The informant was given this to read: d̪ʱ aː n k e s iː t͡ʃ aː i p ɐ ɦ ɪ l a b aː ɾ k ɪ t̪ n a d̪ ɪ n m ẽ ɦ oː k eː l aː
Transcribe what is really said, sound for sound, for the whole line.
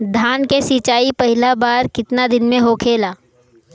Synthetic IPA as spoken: d̪ʱ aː n k e s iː t͡ʃ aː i p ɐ ɦ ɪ l a b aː ɾ k ɪ t̪ n a d̪ ɪ n m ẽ ɦ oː kʰ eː l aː

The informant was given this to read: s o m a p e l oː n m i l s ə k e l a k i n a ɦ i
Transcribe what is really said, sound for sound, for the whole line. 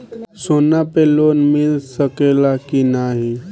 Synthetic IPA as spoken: s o n a p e l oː n m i l s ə k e l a k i n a ɦ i

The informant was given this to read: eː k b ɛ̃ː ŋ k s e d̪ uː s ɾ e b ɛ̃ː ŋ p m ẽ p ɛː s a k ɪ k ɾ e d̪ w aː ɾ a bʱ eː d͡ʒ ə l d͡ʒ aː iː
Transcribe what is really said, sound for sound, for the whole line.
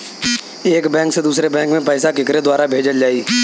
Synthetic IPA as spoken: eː k b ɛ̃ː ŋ k s e d̪ uː s ɾ e b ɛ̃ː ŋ k m ẽ p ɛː s a k ɪ k ɾ e d̪ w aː ɾ a bʱ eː d͡ʒ ə l d͡ʒ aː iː

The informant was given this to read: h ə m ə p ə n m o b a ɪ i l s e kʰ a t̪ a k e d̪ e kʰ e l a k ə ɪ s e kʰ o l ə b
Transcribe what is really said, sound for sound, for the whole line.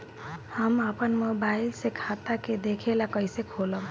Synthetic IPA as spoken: h ə m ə p ə n m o b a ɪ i l s e kʰ a t̪ a k e d̪ e kʰ e l a k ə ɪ s e kʰ o l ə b

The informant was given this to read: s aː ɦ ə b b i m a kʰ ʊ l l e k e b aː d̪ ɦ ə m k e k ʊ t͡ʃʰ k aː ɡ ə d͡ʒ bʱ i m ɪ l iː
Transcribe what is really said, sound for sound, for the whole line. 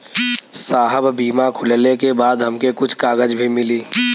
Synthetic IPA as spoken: s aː ɦ ə b b iː m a kʰ ʊ l l e k e b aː d̪ ɦ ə m k e k ʊ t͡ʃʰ k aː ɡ ə d͡ʒ bʱ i m ɪ l iː

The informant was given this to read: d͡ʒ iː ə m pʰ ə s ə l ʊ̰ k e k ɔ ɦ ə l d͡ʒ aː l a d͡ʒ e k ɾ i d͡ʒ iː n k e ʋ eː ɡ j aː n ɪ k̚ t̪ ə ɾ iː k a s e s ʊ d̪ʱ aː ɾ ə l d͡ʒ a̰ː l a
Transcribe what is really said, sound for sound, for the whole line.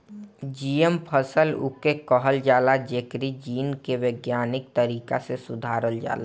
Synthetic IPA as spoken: d͡ʒ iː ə m pʰ ə s ə l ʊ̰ k e k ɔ ɦ ə l d͡ʒ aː l a d͡ʒ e k ɾ i d͡ʒ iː n k e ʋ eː ɡ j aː n ɪ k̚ t̪ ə ɾ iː k a s e s ʊ d̪ʱ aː ɾ ə l d͡ʒ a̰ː l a

